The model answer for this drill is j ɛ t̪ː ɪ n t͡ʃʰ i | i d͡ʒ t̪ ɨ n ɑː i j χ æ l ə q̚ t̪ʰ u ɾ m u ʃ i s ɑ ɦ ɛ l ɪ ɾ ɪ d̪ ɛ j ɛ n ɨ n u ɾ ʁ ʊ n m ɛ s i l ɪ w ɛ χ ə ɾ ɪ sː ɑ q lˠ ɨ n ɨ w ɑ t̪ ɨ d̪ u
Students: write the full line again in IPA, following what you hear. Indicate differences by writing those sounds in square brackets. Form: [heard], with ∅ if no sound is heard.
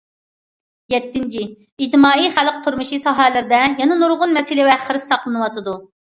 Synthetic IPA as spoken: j ɛ t̪ː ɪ n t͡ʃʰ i | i d͡ʒ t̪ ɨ [m] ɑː i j χ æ l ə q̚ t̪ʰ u ɾ m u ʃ i s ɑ ɦ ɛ l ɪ ɾ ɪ d̪ ɛ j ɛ n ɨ n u ɾ ʁ ʊ n m ɛ s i l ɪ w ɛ χ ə ɾ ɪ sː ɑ q lˠ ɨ n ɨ w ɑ t̪ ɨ d̪ u